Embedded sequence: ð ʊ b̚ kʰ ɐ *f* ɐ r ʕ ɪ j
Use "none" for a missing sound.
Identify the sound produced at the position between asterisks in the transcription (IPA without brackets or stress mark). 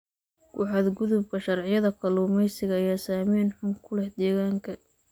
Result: ʃ